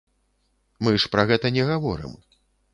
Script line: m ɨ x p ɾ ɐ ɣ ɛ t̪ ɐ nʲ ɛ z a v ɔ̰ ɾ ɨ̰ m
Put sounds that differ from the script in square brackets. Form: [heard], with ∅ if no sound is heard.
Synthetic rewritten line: m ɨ [ʂ] p ɾ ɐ ɣ ɛ t̪ ɐ nʲ ɛ [ɣ] a v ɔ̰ ɾ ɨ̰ m